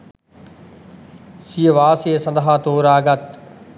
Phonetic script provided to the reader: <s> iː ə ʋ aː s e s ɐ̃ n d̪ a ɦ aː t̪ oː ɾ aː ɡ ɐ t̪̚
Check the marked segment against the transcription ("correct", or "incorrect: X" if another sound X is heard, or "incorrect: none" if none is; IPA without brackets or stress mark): correct